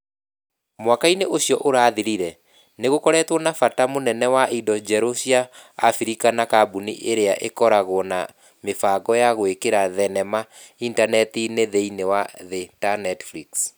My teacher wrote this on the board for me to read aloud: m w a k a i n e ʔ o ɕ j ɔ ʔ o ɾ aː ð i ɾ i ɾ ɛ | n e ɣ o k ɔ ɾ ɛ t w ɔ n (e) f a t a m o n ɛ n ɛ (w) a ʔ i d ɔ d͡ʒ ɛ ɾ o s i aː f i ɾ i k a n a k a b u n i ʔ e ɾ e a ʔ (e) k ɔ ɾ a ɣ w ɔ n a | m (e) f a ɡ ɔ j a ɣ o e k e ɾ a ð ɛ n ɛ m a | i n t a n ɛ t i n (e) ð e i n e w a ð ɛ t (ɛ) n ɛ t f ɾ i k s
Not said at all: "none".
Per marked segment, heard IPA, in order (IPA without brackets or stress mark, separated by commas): a, w, e, e, e, a